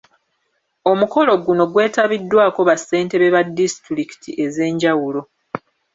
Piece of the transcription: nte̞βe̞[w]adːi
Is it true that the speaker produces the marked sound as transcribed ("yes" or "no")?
no